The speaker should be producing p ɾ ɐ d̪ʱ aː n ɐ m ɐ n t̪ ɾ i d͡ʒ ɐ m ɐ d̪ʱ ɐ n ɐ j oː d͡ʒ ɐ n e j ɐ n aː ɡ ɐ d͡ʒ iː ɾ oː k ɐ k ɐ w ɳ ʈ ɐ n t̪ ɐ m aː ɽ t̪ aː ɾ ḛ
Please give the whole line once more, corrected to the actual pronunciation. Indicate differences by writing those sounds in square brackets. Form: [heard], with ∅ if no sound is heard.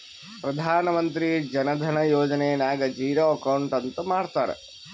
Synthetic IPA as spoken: p ɾ ɐ d̪ʱ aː n ɐ m ɐ n t̪ ɾ i d͡ʒ ɐ [n] ɐ d̪ʱ ɐ n ɐ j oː d͡ʒ ɐ n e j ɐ n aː ɡ ɐ d͡ʒ iː ɾ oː [∅] ɐ k ɐ w ɳ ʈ ɐ n t̪ ɐ m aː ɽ t̪ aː ɾ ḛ